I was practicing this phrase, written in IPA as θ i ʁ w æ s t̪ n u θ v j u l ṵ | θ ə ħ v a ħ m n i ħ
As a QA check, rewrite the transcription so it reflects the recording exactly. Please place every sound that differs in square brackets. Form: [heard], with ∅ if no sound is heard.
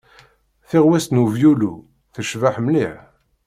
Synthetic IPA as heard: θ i ʁ w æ s t̪ n u [∅] v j u l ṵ | θ ə [ʃ] v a ħ m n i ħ